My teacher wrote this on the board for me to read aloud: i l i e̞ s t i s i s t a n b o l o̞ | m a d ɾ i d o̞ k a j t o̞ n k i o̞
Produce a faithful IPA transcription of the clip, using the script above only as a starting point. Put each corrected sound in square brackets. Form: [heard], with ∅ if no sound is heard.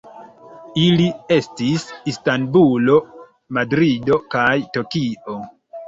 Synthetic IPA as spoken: i l i e̞ s t i s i s t a n b [u] l o̞ | m a d ɾ i d o̞ k a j t o̞ [∅] k i o̞